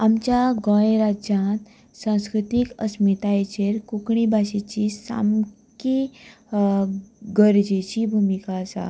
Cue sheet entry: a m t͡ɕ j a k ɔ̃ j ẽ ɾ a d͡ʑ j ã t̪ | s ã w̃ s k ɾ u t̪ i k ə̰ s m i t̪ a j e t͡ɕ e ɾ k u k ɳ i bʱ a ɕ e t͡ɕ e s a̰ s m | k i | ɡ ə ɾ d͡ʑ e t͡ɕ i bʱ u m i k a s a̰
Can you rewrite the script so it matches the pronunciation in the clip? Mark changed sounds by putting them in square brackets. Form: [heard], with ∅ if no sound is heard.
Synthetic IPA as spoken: a m t͡ɕ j a [ɡ] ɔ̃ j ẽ ɾ a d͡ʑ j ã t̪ | s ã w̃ s k ɾ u t̪ i k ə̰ s m i t̪ a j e t͡ɕ e ɾ k u k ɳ i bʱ a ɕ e t͡ɕ [i] s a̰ [∅] m | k i | ɡ ə ɾ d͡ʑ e t͡ɕ i bʱ u m i k a s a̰